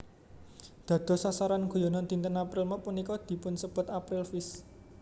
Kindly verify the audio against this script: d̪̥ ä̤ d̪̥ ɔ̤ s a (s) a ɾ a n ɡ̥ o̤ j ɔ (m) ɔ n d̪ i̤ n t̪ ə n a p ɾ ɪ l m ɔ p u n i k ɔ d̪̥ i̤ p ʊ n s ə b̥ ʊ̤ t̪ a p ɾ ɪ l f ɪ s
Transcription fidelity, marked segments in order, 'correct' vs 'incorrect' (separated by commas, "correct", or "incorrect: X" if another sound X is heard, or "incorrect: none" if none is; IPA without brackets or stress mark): correct, incorrect: n